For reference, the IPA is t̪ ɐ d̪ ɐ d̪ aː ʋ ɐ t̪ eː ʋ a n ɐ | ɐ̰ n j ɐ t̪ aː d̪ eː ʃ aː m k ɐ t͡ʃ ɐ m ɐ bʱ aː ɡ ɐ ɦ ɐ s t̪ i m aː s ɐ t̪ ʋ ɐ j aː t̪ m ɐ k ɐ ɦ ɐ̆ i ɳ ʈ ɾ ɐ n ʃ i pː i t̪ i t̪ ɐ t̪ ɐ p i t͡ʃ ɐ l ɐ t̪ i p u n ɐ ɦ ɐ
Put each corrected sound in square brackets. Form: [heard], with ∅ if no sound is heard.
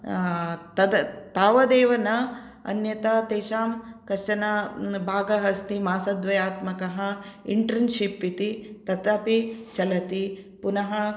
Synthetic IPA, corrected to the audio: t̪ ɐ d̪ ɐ [t̪] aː ʋ ɐ [d̪] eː ʋ [ɐ] n ɐ | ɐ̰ n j ɐ t̪ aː [t̪] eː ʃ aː m k ɐ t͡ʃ ɐ [n] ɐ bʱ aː ɡ ɐ ɦ ɐ s t̪ i m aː s ɐ [d̪] ʋ ɐ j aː t̪ m ɐ k ɐ ɦ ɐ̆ i ɳ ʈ ɾ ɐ n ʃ i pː i t̪ i t̪ ɐ t̪ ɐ p i t͡ʃ ɐ l ɐ t̪ i p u n ɐ ɦ ɐ